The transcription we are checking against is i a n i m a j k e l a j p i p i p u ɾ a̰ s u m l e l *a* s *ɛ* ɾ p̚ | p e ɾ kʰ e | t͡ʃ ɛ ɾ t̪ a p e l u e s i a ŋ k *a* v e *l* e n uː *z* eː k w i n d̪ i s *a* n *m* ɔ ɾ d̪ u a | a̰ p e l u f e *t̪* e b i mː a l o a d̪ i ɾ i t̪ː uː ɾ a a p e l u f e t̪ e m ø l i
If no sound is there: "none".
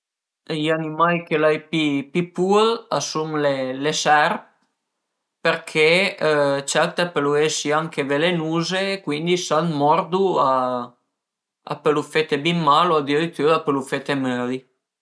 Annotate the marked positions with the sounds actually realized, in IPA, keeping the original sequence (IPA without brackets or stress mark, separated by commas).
e, ɛ, e, l, z, a, m, t̪